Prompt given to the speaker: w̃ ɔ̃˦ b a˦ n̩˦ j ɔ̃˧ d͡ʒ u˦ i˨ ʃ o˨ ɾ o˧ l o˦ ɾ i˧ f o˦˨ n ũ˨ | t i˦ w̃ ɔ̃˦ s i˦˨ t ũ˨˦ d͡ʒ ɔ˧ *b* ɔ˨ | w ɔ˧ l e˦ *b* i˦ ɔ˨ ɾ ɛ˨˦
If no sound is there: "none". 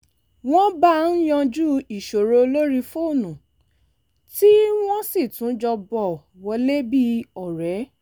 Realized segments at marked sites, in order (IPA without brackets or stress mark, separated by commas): b, b